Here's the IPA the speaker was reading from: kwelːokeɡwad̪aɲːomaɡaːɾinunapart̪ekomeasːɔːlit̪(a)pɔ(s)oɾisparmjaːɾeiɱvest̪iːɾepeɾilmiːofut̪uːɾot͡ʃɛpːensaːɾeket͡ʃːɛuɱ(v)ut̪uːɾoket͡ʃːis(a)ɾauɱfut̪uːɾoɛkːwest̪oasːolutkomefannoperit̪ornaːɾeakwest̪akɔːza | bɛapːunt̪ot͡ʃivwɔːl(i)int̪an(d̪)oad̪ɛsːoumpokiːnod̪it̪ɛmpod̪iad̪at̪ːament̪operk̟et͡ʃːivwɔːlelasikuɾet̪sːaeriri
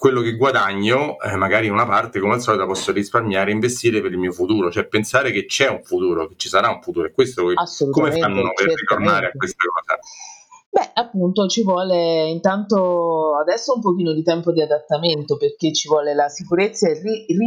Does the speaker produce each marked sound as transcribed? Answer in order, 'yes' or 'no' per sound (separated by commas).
yes, no, no, yes, no, no